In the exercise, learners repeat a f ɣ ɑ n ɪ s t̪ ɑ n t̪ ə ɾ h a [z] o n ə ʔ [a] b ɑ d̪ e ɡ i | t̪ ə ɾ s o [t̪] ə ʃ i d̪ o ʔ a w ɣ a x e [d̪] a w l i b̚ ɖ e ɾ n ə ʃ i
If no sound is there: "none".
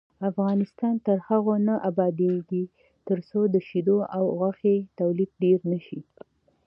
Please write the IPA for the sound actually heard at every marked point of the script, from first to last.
ɣ, a, d̪, t̪

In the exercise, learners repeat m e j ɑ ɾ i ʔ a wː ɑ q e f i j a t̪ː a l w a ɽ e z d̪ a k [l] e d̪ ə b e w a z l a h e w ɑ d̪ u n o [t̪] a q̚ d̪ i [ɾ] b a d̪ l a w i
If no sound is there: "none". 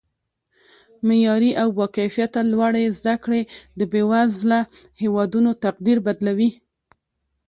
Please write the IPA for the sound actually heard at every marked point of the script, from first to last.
ɽ, t̪, ɾ

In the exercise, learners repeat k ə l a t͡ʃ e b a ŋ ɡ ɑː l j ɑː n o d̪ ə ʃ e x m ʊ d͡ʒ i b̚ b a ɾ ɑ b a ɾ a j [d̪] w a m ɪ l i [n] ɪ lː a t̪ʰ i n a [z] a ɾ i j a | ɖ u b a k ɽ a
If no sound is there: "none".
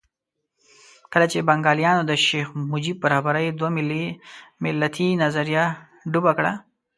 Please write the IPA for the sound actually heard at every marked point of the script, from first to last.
d̪, m, z

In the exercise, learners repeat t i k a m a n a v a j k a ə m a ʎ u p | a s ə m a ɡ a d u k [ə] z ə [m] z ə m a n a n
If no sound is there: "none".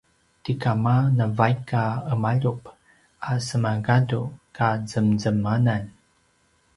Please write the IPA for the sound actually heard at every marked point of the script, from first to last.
a, m

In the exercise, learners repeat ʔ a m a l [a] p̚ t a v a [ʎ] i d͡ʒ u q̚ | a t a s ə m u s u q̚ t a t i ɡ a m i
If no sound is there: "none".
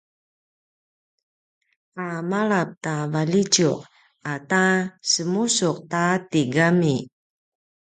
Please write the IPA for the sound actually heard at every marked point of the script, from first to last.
a, l

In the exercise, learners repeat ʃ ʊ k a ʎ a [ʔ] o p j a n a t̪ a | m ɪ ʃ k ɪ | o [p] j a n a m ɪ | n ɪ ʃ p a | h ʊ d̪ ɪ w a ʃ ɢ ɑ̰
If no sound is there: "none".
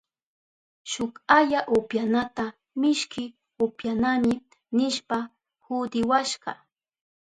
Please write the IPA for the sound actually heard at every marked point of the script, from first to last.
ʔ, p

